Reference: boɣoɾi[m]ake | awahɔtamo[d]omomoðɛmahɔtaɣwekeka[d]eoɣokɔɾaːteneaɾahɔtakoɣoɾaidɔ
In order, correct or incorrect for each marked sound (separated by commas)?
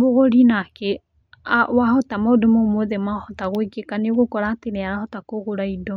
incorrect, correct, incorrect